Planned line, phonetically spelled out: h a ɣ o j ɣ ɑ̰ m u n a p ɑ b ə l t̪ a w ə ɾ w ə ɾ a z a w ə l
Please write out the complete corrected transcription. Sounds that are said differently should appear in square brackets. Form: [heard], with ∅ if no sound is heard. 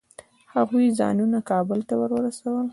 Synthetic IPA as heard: h a ɣ [u] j [z] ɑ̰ [n] u n a [k] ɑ b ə l t̪ a w ə ɾ w ə ɾ a [s] a w ə l